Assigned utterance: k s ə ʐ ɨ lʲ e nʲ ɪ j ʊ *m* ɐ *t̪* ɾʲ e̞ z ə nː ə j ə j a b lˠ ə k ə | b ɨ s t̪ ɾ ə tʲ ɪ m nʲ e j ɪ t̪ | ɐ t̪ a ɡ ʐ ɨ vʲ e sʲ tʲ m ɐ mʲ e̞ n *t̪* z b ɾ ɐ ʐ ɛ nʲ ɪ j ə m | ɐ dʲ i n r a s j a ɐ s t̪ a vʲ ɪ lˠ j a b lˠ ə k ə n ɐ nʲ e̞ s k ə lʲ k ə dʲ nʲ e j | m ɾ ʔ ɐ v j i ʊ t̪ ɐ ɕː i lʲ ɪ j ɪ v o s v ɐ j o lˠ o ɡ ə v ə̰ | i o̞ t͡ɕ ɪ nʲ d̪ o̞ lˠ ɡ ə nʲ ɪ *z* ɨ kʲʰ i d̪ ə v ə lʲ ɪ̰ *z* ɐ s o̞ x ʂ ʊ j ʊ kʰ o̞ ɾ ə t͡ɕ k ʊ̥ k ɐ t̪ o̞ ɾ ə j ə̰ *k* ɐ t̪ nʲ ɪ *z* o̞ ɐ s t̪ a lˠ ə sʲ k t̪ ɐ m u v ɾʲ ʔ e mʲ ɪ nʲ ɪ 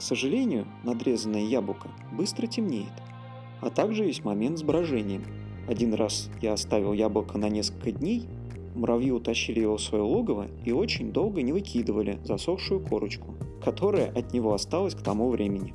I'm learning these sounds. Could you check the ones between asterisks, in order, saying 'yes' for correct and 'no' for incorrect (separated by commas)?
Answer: no, no, yes, no, yes, no, no